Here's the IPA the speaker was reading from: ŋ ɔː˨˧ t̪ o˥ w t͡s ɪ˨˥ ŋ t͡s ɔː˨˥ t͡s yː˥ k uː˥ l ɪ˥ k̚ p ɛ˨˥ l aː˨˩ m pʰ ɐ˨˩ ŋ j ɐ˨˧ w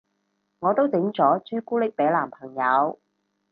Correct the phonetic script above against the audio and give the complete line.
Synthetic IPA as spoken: ŋ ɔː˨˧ t̪ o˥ w t͡s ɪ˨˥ ŋ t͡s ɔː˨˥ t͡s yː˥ k uː˥ l ɪ˥ k̚ p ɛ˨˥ l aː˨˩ m pʰ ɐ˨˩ ŋ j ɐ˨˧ w